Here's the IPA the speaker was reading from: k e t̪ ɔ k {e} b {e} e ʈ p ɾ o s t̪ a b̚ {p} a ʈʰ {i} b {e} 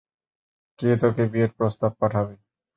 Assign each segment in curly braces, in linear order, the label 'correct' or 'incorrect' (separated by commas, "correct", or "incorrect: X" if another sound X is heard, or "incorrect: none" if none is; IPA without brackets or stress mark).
correct, incorrect: i, correct, incorrect: a, correct